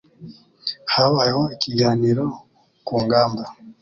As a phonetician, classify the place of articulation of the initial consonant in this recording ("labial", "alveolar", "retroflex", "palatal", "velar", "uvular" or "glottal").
glottal